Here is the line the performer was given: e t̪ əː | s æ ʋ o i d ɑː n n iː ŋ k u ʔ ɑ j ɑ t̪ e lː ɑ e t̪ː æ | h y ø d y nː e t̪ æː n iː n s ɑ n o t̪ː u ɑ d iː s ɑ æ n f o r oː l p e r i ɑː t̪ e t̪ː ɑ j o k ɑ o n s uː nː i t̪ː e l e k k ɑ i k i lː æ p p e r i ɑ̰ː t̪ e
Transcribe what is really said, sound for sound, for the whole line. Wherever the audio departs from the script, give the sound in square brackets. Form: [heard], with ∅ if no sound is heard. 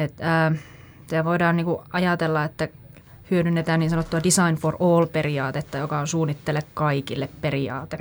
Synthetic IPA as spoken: e t̪ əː | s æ ʋ o i d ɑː n n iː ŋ k u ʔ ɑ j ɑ t̪ e lː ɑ e t̪ː æ | h y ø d y nː e t̪ æː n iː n s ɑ n o t̪ː u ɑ d [i] s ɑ [i] n f o r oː l p e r i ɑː t̪ e t̪ː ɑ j o k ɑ o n s uː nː i t̪ː e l e k k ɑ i k i lː [e] p p e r i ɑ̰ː t̪ e